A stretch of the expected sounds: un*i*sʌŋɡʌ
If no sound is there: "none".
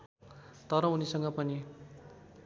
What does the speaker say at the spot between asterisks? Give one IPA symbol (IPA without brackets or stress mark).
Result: i